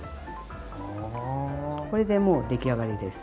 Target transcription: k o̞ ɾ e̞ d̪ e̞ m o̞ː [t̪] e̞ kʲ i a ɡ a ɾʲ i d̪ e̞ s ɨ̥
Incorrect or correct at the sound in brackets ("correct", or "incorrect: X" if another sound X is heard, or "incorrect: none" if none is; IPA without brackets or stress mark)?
incorrect: d̪